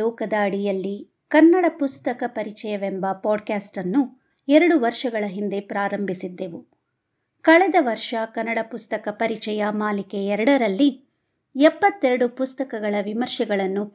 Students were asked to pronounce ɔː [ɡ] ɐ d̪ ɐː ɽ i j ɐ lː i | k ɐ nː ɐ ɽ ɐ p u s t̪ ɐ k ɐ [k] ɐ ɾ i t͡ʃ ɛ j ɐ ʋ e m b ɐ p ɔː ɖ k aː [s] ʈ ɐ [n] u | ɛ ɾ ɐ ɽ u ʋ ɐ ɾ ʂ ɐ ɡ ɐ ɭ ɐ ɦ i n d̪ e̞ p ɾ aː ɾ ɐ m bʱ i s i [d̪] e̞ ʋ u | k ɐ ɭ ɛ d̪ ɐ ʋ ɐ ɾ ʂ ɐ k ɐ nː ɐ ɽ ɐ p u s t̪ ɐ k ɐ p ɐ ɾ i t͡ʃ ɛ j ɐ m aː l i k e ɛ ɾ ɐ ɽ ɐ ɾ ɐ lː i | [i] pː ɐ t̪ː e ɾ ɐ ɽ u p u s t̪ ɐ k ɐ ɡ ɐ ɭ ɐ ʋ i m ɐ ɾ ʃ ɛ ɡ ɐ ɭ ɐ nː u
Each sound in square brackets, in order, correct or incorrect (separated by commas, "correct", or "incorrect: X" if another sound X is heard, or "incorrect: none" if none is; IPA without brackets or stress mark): incorrect: k, incorrect: p, correct, incorrect: nː, incorrect: d̪ː, incorrect: ɛ